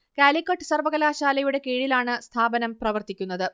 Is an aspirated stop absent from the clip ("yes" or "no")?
no